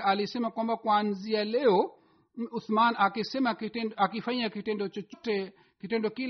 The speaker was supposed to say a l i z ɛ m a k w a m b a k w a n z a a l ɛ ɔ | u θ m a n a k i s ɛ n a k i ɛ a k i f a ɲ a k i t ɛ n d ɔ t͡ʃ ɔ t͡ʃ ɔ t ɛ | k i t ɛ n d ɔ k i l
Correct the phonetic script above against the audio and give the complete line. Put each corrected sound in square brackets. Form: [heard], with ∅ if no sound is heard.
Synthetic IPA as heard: a l i [s] ɛ m a k w a m b a k w a n z [i] a l ɛ ɔ | u θ m a n a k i s ɛ [m] a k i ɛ a k i f a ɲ a k i t ɛ n d ɔ t͡ʃ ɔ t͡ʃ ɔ t ɛ | k i t ɛ n d ɔ k i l